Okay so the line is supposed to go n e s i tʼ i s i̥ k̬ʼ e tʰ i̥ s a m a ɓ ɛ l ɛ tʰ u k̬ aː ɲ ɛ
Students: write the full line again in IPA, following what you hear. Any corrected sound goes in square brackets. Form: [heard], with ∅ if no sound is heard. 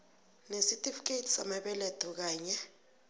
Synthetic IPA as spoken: n e s i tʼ i [f] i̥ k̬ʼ e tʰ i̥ s a m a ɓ ɛ l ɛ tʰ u k̬ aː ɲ ɛ

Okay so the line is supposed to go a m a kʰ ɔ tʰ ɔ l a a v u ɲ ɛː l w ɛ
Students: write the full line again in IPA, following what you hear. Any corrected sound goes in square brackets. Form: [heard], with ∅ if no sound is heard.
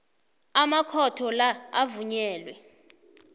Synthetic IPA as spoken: a m a kʰ ɔ tʰ ɔ l a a v u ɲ ɛː l w ɛ

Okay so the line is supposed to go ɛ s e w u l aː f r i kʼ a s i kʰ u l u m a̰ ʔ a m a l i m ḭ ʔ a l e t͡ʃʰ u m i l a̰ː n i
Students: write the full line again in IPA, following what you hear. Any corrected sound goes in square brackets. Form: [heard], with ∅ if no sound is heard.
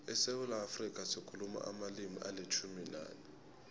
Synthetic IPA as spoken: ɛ s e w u l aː f r i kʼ a s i kʰ u l u m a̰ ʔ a m a l i m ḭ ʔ a l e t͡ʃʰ u m i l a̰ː n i

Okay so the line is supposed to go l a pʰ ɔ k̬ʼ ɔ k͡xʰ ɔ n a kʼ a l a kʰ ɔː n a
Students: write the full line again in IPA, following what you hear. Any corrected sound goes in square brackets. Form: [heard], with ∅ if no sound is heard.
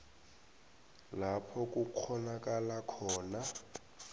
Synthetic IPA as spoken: l a pʰ ɔ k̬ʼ [u] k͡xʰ ɔ n a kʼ a l a kʰ ɔː n a

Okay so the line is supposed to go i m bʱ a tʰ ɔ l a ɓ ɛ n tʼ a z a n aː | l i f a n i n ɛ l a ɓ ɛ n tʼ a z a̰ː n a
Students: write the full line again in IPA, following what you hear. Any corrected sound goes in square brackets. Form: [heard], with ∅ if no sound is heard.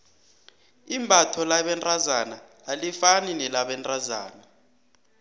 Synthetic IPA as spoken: i m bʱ a tʰ ɔ l a ɓ ɛ n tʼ a z a n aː | l i f a n i n ɛ l a ɓ ɛ n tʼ a z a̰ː n a

